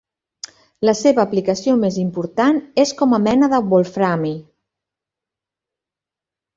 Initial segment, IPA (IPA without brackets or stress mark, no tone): l